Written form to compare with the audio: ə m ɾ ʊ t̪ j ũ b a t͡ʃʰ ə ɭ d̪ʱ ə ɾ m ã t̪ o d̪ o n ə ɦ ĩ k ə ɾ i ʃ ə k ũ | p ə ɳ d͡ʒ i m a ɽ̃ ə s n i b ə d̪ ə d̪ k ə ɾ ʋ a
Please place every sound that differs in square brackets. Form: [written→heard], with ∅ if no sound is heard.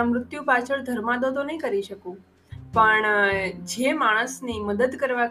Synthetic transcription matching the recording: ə m ɾ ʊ t̪ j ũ [b→p] a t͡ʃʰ ə ɭ d̪ʱ ə ɾ m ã [t̪→d̪] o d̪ o n ə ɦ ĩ k ə ɾ i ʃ ə k ũ | p ə ɳ d͡ʒ [i→e] m a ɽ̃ ə s n i [b→m] ə d̪ ə d̪ k ə ɾ ʋ a